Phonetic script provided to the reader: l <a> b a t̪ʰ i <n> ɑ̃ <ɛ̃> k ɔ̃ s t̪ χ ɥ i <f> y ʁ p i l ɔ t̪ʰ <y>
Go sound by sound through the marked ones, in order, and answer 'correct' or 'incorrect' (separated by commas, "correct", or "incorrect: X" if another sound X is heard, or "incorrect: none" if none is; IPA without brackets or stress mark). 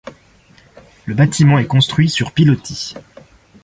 incorrect: ə, incorrect: m, incorrect: ɛ, incorrect: s, incorrect: i